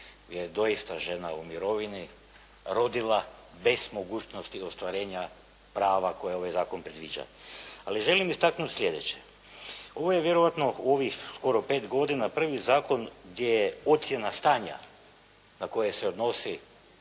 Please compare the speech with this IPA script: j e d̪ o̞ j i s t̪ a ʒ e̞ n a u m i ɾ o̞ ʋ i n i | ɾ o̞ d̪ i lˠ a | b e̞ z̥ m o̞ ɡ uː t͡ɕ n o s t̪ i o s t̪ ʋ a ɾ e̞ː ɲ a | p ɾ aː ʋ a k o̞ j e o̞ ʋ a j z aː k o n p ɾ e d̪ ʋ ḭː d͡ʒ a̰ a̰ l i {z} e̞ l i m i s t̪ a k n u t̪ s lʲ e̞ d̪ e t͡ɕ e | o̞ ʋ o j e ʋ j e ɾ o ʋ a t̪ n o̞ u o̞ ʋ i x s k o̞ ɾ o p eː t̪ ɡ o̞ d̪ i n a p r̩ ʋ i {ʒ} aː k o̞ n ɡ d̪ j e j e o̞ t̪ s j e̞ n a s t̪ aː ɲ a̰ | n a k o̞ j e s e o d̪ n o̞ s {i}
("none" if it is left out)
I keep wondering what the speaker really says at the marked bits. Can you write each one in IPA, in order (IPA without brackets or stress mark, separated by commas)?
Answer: ʒ, z, i